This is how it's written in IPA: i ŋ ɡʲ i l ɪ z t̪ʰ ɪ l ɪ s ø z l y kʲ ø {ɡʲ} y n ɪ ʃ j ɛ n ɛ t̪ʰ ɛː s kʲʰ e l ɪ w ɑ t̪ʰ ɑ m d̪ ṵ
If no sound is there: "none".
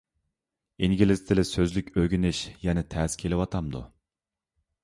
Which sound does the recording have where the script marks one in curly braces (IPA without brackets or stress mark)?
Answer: ɡʲ